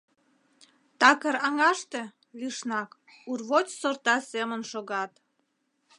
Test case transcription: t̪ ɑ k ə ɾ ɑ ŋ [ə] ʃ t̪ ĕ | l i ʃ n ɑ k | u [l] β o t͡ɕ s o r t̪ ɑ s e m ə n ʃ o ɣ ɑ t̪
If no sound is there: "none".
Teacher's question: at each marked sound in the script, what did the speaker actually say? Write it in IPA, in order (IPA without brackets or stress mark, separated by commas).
ɑ, r